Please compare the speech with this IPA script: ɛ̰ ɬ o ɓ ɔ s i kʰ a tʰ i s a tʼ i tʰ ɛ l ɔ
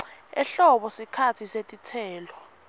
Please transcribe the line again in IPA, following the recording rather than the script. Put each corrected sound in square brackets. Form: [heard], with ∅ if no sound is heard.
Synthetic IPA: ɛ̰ ɬ [ɔ] ɓ ɔ s i kʰ a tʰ i s [e] tʼ i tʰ [ɛː] l ɔ